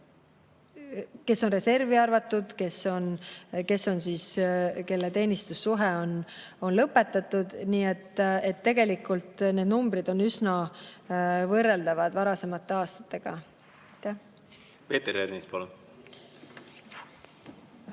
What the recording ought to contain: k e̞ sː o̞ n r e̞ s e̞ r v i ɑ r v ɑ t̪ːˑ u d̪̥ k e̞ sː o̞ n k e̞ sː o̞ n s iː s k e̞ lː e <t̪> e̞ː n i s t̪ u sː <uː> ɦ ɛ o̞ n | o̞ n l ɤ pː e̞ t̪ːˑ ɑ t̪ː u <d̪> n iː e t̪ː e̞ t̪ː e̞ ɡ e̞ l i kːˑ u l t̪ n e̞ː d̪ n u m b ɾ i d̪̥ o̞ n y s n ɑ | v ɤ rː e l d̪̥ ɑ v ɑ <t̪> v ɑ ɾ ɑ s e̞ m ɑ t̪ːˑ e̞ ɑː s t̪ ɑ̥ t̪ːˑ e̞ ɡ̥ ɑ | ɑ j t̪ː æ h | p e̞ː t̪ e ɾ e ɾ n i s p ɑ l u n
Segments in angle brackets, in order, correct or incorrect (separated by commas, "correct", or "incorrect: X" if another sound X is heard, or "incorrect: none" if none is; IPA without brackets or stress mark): correct, incorrect: u, correct, incorrect: d̪